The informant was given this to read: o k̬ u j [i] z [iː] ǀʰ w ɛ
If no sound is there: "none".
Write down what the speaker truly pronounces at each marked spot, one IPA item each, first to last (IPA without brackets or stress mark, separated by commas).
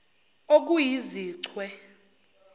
i, iː